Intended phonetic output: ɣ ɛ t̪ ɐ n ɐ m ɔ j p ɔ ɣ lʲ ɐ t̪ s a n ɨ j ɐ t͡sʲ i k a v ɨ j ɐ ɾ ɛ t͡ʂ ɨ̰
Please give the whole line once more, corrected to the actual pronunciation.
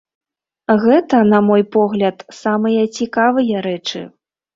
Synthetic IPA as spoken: ɣ ɛ t̪ ɐ n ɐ m ɔ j p ɔ ɣ lʲ ɐ t̪ s a m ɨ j ɐ t͡sʲ i k a v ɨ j ɐ ɾ ɛ t͡ʂ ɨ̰